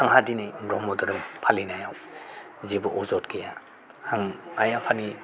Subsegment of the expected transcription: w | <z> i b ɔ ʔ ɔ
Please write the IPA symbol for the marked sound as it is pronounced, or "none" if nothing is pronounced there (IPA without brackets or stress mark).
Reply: z